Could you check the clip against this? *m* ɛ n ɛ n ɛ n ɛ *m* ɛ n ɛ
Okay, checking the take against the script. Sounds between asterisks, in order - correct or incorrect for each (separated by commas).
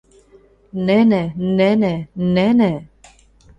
incorrect, incorrect